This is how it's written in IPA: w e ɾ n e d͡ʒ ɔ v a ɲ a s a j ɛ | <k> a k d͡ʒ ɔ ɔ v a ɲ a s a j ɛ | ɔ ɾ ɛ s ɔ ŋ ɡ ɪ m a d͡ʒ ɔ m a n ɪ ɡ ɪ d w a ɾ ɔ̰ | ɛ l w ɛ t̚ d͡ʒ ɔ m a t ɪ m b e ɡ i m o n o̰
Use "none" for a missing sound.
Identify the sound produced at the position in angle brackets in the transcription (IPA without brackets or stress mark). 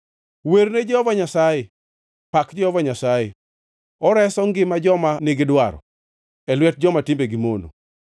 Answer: p